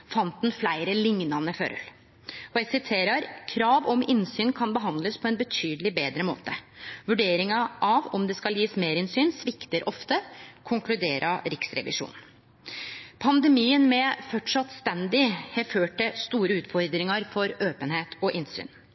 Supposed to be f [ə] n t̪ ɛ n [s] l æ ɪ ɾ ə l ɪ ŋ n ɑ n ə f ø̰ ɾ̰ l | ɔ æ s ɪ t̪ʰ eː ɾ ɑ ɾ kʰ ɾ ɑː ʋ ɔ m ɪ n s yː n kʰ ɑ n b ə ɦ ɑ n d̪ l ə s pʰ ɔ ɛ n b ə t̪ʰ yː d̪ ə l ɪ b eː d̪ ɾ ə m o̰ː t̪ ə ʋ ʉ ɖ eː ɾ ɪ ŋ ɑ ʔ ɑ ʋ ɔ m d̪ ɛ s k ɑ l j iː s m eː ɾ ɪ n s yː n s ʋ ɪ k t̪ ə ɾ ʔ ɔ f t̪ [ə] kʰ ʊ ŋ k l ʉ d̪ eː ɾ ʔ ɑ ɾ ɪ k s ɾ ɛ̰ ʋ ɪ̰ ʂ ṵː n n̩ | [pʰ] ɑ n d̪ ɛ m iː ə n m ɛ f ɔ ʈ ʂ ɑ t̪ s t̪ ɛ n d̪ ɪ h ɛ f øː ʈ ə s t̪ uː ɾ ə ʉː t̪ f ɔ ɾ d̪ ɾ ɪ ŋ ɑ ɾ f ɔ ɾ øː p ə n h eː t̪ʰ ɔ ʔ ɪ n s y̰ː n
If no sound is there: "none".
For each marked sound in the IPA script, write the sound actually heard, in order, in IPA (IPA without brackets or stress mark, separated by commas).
ɑ, f, ə, pʰ